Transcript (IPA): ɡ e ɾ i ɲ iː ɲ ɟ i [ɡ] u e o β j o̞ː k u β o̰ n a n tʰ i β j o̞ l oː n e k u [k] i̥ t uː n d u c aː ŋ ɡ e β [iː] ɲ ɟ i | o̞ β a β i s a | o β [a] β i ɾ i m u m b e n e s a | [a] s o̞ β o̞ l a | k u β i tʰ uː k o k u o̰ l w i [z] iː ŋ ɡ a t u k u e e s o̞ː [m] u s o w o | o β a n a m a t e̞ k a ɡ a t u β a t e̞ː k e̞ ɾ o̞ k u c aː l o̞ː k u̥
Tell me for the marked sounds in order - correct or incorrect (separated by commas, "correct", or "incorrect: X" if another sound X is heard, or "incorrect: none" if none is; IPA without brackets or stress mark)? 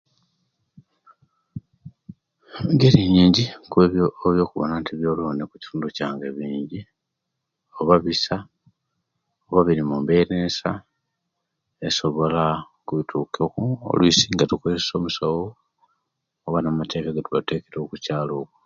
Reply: incorrect: k, incorrect: c, correct, correct, incorrect: e, incorrect: s, correct